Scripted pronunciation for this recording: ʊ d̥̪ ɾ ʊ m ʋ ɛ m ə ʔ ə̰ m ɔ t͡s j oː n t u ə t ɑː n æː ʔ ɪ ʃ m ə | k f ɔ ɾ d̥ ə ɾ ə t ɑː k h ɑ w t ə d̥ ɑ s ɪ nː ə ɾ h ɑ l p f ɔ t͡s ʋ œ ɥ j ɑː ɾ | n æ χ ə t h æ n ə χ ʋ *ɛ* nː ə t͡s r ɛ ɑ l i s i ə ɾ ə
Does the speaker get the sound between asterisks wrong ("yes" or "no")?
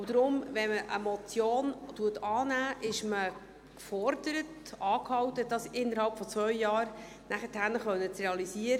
yes